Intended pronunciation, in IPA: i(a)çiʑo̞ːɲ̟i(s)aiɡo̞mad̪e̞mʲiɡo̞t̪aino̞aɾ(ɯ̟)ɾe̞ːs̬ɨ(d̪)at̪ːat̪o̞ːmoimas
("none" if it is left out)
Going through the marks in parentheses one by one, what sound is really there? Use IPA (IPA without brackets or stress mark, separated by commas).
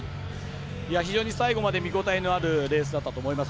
a, s, ɯ̟, d̪